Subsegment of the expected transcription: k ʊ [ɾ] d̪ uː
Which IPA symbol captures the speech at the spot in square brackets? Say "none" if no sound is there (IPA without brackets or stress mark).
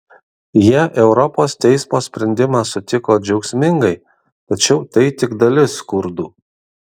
ɾ